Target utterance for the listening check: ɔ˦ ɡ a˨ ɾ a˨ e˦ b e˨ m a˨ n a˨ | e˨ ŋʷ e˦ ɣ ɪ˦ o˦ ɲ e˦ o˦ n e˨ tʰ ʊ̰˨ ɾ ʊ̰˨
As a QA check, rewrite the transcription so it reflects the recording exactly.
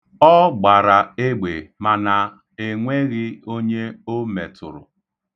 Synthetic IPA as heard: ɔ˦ ɡ͡b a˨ ɾ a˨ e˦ ɡ͡b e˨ m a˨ n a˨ | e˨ ŋʷ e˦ ɣ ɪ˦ o˦ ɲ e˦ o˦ m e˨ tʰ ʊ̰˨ ɾ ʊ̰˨